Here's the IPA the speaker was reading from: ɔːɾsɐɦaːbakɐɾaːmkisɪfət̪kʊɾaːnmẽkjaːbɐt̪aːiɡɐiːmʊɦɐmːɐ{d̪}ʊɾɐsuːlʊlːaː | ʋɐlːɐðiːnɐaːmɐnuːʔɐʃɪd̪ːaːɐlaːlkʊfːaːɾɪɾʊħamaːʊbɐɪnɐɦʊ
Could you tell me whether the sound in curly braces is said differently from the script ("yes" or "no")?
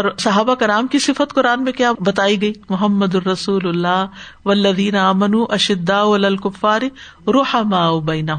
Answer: no